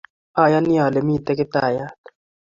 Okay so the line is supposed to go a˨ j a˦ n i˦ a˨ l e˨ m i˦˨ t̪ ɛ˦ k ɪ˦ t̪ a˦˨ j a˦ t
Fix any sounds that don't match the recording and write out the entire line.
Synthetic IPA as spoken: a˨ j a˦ n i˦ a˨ l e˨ m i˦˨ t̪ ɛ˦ k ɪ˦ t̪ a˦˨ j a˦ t